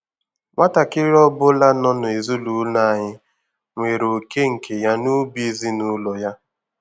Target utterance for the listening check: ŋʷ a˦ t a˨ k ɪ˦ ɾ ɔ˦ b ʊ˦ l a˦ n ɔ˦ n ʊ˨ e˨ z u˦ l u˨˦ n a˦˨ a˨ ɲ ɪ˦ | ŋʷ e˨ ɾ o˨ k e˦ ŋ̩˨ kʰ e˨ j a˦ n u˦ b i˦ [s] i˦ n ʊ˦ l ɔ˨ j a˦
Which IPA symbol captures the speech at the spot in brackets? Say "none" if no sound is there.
z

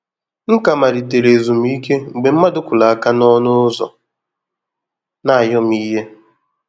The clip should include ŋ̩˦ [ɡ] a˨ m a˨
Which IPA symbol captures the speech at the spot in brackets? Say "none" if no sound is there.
k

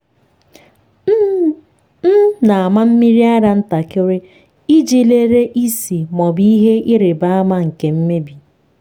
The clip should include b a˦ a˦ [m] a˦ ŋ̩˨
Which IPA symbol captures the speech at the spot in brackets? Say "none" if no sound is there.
m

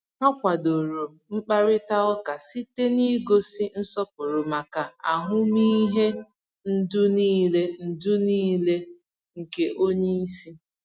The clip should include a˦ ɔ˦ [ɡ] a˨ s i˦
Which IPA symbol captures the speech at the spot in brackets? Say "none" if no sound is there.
k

